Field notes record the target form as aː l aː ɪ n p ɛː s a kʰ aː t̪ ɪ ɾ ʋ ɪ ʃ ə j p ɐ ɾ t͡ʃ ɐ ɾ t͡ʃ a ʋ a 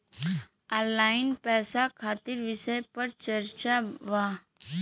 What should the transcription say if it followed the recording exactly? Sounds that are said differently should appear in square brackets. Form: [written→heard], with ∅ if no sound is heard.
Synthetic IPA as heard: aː l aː ɪ n p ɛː s a kʰ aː t̪ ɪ ɾ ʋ ɪ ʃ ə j p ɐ ɾ t͡ʃ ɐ ɾ t͡ʃ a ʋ a